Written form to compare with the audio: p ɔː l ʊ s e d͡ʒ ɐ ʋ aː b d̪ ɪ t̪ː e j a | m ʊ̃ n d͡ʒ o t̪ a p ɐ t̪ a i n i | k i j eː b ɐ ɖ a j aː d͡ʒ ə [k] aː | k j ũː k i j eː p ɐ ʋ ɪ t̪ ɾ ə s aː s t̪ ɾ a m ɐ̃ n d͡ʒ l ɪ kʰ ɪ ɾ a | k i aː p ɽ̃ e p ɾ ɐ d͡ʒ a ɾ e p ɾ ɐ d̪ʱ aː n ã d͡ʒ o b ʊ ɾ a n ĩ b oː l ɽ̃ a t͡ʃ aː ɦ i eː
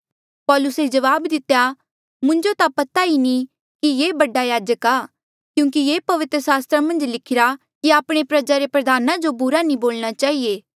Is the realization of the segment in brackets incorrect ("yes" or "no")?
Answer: no